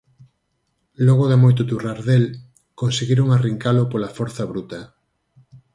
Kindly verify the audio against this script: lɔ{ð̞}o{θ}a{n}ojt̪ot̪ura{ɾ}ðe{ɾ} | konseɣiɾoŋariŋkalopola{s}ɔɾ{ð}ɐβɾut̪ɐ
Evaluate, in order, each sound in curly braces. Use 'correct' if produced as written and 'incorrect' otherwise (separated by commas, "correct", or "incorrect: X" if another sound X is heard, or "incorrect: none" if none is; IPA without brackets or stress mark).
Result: incorrect: ɣ̞, incorrect: ð, incorrect: m, correct, incorrect: l, incorrect: f, incorrect: θ